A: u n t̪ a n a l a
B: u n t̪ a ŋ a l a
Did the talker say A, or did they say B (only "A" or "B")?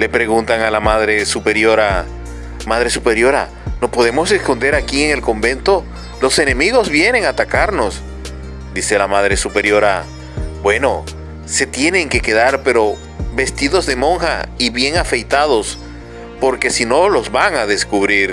B